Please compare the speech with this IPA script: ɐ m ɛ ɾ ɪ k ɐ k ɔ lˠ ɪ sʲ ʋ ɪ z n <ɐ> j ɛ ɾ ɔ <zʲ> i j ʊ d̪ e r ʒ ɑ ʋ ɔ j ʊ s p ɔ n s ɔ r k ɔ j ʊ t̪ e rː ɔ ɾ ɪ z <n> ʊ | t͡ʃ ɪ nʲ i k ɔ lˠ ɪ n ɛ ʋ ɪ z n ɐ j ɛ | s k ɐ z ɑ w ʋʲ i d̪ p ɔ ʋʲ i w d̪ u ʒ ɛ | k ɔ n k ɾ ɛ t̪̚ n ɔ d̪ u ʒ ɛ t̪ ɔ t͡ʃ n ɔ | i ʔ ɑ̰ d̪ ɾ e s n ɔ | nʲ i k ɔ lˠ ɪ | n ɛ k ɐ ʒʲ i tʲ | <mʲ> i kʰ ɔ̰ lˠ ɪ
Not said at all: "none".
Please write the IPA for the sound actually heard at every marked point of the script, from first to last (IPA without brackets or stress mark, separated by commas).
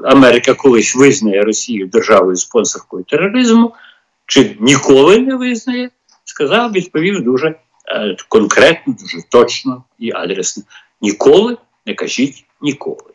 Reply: ɐ, sʲ, m, nʲ